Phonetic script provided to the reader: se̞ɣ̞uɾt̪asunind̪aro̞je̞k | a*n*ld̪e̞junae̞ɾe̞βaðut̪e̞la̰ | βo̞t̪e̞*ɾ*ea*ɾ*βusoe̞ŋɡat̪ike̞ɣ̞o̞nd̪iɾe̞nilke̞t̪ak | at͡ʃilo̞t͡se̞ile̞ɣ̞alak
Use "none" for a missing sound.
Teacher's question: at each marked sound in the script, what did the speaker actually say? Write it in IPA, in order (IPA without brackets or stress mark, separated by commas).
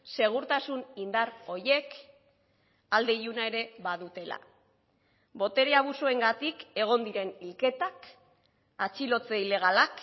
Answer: none, ɾ, none